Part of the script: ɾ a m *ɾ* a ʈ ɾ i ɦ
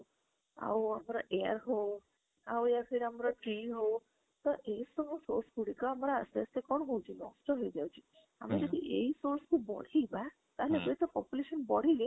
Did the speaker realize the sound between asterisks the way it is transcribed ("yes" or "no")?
yes